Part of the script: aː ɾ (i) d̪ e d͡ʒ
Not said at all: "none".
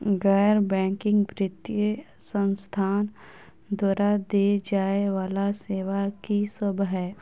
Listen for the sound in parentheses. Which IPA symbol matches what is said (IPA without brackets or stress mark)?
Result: a